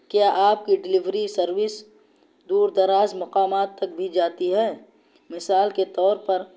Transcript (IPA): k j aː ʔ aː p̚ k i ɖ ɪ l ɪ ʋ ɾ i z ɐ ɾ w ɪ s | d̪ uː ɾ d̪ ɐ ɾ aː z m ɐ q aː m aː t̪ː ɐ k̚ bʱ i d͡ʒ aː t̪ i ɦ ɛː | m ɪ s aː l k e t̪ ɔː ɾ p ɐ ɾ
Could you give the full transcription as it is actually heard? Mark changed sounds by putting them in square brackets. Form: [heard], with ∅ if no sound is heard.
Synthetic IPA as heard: k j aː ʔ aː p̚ k i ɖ ɪ l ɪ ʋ ɾ i [s] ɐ ɾ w ɪ s | d̪ uː ɾ d̪ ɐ ɾ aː z m ɐ q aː m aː t̪ː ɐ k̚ bʱ i d͡ʒ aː t̪ i ɦ ɛː | m ɪ s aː l k e t̪ ɔː ɾ p ɐ ɾ